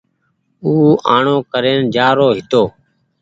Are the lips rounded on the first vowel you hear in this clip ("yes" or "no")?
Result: yes